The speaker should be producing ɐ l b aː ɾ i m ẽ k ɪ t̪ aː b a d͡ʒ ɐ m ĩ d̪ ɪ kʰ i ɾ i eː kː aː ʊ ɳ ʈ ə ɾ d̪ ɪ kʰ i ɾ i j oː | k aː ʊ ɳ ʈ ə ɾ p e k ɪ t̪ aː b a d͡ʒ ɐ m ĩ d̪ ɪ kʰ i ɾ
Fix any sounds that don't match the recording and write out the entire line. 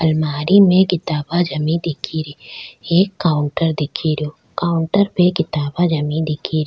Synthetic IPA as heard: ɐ l m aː ɾ i m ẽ k ɪ t̪ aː b a d͡ʒ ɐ m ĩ d̪ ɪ kʰ i ɾ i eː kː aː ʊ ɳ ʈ ə ɾ d̪ ɪ kʰ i ɾ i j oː | k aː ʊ ɳ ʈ ə ɾ p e k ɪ t̪ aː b a d͡ʒ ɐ m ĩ d̪ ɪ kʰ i ɾ